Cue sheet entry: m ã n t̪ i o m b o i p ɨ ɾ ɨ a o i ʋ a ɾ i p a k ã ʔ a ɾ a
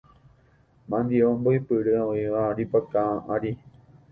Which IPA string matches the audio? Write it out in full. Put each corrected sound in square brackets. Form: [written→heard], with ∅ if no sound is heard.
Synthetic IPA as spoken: m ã n [t̪→d̪] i o m b o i p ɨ ɾ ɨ a o i ʋ a ɾ i p a k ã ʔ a ɾ [a→i]